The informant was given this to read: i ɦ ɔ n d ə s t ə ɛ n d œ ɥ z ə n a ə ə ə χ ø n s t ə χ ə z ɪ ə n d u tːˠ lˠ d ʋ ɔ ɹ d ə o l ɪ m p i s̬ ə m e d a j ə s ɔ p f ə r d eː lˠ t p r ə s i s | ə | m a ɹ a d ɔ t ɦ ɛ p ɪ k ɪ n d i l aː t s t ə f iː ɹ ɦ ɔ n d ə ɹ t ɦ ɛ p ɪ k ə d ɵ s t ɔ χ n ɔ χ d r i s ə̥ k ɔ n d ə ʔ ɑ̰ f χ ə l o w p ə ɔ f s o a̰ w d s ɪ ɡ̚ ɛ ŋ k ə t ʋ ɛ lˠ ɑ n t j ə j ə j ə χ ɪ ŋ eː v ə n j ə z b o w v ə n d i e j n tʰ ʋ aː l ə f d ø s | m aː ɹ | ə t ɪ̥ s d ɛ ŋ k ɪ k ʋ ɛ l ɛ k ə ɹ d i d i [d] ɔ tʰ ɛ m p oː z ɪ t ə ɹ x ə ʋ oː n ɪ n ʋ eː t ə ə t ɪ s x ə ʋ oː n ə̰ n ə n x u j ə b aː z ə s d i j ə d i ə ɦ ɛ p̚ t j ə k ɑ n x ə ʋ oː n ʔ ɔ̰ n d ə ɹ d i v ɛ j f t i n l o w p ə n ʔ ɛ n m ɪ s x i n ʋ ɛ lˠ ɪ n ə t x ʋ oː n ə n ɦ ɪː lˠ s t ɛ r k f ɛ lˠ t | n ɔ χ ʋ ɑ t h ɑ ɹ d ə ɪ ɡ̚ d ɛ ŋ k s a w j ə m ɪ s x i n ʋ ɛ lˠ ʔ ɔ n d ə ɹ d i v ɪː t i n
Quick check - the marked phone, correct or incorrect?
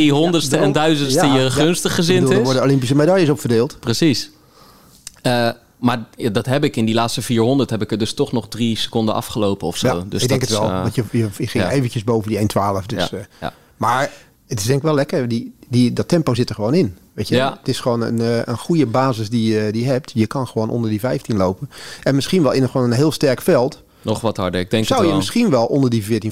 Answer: correct